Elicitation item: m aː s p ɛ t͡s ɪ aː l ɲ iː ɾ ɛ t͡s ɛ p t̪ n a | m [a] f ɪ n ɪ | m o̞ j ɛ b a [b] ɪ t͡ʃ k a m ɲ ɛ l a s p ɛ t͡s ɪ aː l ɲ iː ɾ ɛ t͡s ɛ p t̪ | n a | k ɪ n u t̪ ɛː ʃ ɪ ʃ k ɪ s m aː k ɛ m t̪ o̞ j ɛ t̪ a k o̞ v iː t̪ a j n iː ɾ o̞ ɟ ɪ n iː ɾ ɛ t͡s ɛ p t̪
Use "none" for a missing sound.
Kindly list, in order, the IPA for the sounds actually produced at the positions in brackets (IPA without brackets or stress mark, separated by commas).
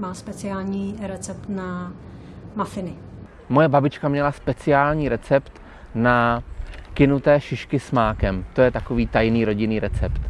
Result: a, b